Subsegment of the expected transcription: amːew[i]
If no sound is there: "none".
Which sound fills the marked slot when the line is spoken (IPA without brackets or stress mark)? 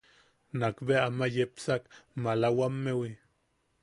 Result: i